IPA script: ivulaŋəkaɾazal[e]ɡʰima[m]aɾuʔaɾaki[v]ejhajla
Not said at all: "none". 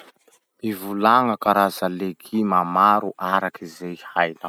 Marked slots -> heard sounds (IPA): e, m, z

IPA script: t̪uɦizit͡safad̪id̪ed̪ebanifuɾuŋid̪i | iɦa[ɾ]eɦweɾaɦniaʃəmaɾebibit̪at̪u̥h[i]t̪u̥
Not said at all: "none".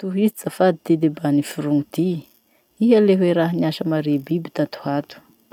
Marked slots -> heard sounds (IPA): l, a

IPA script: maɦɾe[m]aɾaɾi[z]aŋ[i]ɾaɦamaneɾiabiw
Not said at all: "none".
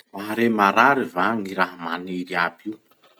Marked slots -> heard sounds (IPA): m, v, i

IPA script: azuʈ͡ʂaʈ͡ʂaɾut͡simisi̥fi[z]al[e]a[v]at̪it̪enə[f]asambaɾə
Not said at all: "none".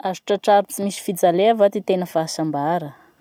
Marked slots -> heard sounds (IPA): d͡z, e, v, f

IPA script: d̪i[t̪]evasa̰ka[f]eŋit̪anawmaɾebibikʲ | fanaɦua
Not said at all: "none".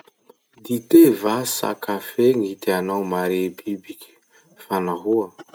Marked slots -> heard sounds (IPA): t̪, f

